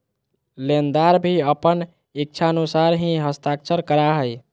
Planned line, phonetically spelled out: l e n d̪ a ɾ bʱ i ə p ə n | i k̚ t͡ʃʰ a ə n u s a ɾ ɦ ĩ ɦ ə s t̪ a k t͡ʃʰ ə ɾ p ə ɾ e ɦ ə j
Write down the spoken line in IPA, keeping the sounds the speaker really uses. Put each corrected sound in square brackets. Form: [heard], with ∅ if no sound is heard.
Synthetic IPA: l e n d̪ a ɾ bʱ i ə p ə n | i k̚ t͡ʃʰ a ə n u s a ɾ ɦ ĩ ɦ ə s t̪ a k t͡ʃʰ ə ɾ [k] ə ɾ [a] ɦ ə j